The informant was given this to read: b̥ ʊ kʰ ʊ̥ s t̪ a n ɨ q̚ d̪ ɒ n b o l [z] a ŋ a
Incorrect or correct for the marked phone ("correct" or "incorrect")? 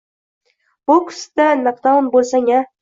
incorrect